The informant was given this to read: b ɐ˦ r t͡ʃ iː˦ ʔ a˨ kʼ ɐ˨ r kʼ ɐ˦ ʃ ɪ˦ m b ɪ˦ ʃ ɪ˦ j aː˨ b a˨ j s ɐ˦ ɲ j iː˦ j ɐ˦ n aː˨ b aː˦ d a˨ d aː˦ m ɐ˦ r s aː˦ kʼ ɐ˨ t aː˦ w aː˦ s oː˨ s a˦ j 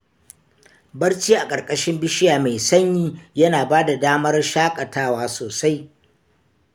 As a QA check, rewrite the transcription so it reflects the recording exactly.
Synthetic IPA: b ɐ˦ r t͡ʃ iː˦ ʔ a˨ kʼ ɐ˨ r kʼ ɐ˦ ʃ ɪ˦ m b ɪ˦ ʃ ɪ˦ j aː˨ m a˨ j s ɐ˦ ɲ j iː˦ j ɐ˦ n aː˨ b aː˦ d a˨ d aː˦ m ɐ˦ r ʃ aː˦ kʼ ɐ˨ t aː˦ w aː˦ s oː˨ s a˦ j